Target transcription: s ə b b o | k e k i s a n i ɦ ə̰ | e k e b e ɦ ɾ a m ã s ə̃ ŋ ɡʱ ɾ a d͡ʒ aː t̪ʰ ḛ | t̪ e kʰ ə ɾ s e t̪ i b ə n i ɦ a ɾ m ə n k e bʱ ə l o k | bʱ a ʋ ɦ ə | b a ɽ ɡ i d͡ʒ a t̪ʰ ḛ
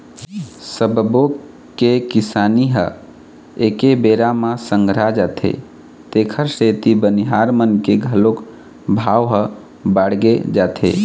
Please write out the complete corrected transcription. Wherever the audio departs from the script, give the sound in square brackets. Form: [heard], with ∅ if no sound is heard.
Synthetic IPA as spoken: s ə b b o | k e k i s a n i ɦ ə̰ | e k e b e [∅] ɾ a m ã s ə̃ ŋ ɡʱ ɾ a d͡ʒ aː t̪ʰ ḛ | t̪ e kʰ ə ɾ s e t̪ i b ə n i ɦ a ɾ m ə n k e [ɡʱ] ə l o k | bʱ a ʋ ɦ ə | b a ɽ ɡ [e] d͡ʒ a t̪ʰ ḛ